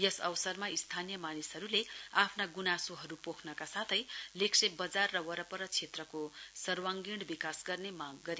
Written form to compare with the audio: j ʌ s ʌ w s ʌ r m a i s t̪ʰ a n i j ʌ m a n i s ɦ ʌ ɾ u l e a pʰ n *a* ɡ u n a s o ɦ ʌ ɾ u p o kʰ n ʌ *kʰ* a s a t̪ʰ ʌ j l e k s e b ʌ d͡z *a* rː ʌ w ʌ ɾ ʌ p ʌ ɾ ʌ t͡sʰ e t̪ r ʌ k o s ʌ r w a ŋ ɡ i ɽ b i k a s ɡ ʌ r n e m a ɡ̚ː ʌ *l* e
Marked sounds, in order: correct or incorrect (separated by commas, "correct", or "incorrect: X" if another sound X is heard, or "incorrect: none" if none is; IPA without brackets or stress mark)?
correct, incorrect: k, correct, incorrect: ɾ